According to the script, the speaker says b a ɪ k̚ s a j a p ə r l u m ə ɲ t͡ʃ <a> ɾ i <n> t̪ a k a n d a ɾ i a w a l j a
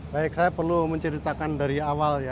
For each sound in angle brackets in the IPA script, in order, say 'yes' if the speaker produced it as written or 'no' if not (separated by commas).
no, no